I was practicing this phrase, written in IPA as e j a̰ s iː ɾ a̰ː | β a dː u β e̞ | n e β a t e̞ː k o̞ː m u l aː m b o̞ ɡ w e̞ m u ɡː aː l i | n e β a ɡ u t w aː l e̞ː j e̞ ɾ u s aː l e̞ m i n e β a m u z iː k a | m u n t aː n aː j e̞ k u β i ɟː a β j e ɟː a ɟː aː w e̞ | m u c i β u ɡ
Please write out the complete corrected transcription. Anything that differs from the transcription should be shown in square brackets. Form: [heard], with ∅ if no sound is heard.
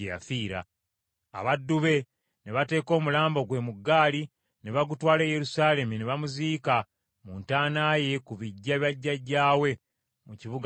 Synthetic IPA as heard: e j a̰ [f] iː ɾ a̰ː | β a dː u β e̞ | n e β a t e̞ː k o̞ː m u l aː m b o̞ ɡ w e̞ m u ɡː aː l i | n e β a ɡ u t w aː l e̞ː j e̞ ɾ u s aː l e̞ m i n e β a m u z iː k a | m u n t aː n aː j e̞ k u β i ɟː a β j [a] ɟː a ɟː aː w e̞ | m u c i β u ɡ